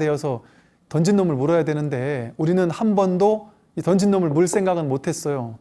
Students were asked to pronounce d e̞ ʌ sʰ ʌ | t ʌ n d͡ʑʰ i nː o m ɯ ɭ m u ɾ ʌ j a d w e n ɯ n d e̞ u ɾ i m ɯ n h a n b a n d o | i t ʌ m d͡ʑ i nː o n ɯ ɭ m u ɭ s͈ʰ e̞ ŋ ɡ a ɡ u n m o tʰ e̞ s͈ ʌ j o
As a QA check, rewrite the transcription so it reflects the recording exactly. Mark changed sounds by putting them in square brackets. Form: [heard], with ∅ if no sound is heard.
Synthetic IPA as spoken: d e̞ ʌ sʰ ʌ | t ʌ n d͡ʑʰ i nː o m ɯ ɭ m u ɾ ʌ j a d w e n ɯ n d e̞ u ɾ i [n] ɯ n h a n b [ʌ] n d o | i t ʌ [n] d͡ʑ i nː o [m] ɯ ɭ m u ɭ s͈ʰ e̞ ŋ ɡ a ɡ [ɯ] n m o tʰ e̞ s͈ ʌ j o